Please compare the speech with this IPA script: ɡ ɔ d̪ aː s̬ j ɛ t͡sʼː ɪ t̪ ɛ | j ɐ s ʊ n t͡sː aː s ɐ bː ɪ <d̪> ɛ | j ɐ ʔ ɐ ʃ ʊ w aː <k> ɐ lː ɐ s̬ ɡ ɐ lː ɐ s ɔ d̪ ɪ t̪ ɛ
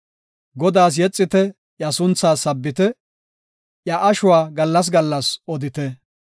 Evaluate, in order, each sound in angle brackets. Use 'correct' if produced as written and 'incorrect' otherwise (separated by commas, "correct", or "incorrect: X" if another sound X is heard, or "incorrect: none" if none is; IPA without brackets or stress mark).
incorrect: t̪, incorrect: ɡ